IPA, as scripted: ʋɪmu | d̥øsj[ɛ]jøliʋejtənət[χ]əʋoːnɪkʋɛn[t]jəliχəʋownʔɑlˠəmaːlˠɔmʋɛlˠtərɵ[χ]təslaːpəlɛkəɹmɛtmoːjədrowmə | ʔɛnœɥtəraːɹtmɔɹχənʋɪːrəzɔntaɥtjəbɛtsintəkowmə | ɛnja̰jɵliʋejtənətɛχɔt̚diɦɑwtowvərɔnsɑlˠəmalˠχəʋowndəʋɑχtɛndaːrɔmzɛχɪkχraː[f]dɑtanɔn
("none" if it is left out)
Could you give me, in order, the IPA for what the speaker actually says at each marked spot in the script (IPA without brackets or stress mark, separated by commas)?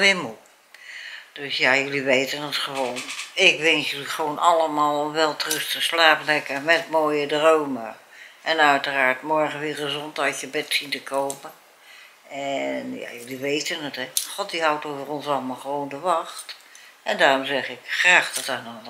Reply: a, χ, s, s, χ